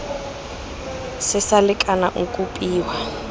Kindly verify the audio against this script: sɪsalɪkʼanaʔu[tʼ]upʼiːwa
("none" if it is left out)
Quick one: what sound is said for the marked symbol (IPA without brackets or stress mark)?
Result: kʼ